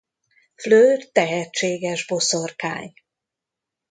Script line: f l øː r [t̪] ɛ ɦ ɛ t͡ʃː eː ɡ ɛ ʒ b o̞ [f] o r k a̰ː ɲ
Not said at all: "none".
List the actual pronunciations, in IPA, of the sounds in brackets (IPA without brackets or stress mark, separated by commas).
t̪, s